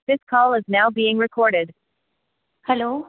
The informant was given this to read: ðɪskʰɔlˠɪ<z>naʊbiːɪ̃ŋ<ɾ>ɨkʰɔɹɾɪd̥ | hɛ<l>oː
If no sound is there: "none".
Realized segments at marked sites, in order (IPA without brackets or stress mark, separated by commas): z, ɹ, l